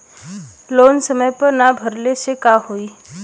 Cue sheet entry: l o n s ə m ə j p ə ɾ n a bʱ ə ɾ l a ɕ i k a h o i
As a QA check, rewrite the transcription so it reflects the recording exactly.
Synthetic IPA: l o n s ə m ə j p ə ɾ n a bʱ ə ɾ l e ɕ e k a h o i